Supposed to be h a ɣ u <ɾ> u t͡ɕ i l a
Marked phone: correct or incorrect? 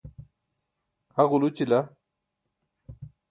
incorrect